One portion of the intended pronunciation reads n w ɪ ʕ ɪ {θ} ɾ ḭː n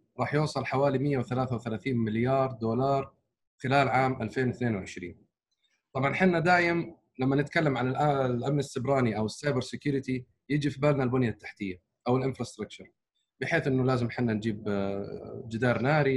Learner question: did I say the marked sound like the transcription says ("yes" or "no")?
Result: no